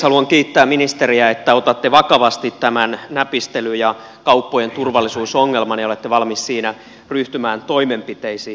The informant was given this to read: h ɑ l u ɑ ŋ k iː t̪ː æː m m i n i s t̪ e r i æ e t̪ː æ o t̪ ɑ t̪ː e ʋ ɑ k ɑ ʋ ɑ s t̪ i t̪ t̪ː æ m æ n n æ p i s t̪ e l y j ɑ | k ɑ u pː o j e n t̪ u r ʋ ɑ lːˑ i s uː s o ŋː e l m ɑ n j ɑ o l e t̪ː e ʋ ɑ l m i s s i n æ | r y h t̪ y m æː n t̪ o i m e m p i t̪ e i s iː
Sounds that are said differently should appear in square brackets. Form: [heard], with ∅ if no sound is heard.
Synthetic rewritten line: h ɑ l u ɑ ŋ k iː t̪ː æː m m i n i s t̪ e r i æ e t̪ː æ o t̪ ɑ t̪ː e ʋ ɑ k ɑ ʋ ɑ s t̪ i t̪ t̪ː æ m æ n n æ p i s t̪ e l y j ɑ | k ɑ u pː o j e n t̪ u r ʋ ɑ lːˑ i s uː s o ŋː e l m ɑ n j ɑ o l e t̪ː e ʋ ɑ l m i s s [iː] n æ | r y h t̪ y m æː n t̪ o i m e m p i t̪ e i s iː